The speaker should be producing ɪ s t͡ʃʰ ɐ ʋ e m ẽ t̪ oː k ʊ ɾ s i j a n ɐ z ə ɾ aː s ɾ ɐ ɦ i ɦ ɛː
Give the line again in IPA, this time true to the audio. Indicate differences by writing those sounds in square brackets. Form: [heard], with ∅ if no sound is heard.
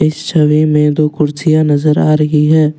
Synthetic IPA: ɪ s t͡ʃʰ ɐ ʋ e m ẽ [d̪] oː k ʊ ɾ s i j a n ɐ z ə ɾ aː [∅] ɾ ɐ ɦ i ɦ ɛː